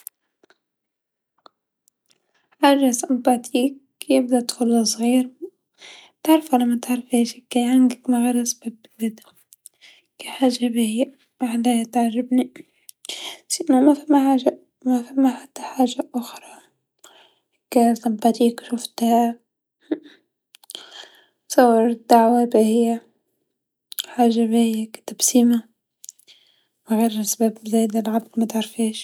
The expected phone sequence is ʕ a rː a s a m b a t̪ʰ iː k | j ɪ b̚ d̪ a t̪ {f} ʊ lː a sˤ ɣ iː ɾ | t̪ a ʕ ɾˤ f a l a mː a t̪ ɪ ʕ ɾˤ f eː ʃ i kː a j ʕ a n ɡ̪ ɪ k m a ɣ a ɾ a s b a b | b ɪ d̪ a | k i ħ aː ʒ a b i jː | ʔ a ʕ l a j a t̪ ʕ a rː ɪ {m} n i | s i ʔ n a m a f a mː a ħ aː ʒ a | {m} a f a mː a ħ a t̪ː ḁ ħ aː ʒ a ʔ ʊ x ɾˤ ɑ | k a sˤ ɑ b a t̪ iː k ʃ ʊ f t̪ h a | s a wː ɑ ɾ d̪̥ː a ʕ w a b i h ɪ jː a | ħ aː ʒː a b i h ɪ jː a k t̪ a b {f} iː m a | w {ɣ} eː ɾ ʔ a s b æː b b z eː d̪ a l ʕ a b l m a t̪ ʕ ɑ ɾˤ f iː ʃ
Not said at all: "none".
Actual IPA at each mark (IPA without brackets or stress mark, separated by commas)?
x, b, m, s, ɣ